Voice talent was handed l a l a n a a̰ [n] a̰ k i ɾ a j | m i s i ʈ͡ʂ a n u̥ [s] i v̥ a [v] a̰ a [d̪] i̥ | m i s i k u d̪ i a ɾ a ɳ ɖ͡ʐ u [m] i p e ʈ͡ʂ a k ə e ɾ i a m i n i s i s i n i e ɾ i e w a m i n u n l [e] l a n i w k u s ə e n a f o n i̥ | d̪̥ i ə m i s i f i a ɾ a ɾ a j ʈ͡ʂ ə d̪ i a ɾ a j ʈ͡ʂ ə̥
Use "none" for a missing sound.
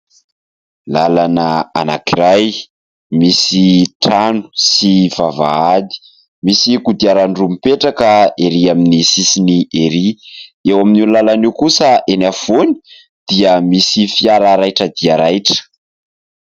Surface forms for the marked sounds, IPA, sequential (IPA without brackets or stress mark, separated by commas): n, s, v, d̪, m, a